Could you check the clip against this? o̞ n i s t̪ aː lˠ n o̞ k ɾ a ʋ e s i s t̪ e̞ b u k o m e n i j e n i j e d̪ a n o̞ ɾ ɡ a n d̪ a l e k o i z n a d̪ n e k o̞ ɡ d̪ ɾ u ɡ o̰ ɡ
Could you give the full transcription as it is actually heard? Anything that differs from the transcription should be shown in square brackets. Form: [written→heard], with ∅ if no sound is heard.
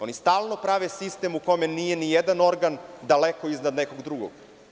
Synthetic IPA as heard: o̞ n i s t̪ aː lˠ n o̞ [k→p] ɾ a ʋ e s i s t̪ e̞ [b→m] u k o m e n i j e n i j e d̪ a n o̞ ɾ ɡ a n d̪ a l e k o i z n a d̪ n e k o̞ ɡ d̪ ɾ u ɡ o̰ ɡ